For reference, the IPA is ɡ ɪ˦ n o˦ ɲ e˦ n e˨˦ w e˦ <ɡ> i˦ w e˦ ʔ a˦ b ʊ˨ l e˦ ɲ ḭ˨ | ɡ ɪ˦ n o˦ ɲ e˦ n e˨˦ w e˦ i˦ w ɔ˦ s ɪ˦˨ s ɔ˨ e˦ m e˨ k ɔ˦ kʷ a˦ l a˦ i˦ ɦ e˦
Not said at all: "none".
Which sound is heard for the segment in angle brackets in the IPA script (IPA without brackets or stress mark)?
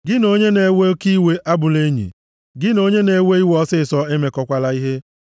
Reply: k